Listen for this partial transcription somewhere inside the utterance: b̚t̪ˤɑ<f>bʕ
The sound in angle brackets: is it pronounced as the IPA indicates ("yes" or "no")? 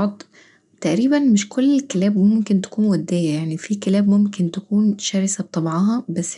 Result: no